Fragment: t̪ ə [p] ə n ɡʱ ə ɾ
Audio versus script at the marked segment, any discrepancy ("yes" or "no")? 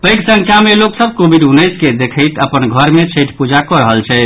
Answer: no